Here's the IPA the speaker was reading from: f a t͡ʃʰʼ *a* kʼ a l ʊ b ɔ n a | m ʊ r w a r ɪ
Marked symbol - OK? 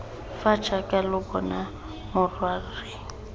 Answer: yes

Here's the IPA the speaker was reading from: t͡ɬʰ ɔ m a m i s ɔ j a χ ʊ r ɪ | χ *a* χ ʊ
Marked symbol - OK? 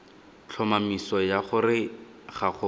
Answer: yes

